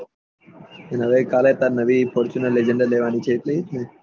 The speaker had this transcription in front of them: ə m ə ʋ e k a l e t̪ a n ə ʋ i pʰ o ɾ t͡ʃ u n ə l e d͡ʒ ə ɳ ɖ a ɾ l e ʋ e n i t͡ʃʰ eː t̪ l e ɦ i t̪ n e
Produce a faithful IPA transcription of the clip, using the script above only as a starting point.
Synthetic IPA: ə n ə ʋ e k a l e t̪ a n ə ʋ i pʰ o ɾ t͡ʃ u n ə l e d͡ʒ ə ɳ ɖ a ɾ l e ʋ a n i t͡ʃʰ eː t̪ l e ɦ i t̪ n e